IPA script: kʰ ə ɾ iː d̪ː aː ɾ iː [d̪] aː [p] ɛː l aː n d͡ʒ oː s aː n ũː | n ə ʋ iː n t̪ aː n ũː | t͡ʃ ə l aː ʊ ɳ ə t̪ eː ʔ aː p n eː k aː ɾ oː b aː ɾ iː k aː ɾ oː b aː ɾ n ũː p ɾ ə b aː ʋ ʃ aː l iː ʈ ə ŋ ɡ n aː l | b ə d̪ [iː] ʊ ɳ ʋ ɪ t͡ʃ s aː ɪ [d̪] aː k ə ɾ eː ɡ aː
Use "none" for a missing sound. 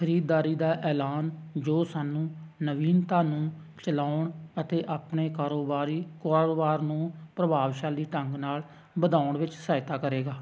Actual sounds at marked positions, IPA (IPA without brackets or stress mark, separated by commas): d̪, ʔ, aː, t̪